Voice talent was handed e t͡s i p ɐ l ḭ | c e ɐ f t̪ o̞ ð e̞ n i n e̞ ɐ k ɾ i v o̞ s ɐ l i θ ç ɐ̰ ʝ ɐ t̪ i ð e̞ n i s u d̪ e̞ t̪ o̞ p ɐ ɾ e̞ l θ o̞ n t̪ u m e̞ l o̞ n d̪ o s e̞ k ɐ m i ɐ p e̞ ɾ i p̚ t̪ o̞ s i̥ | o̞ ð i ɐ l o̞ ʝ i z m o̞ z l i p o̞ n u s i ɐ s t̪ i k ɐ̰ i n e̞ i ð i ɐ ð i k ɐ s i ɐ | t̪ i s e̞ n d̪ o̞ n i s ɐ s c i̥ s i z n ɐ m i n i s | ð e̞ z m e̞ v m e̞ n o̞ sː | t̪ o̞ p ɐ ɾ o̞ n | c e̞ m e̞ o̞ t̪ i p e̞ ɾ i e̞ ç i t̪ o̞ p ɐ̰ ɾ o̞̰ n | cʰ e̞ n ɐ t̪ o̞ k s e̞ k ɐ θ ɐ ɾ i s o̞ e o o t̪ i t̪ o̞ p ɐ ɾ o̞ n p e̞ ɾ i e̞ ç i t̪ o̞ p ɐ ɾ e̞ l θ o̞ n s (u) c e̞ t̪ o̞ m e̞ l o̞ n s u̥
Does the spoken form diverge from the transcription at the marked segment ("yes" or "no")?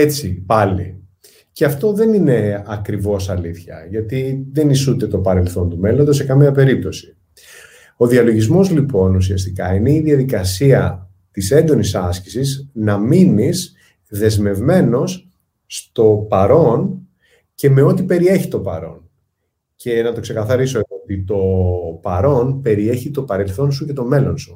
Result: no